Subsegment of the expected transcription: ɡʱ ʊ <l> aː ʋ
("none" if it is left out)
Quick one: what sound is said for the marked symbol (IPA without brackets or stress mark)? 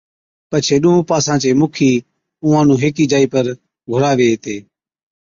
ɾ